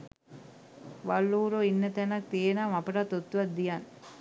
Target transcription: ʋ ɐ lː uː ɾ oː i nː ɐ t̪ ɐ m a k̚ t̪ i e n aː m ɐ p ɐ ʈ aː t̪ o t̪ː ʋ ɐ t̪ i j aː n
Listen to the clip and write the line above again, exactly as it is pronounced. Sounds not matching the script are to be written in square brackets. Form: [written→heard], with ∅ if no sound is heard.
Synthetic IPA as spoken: ʋ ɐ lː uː ɾ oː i nː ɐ t̪ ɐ [m→n] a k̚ t̪ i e n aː m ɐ p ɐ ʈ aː t̪ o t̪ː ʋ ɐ [t̪→d̪] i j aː n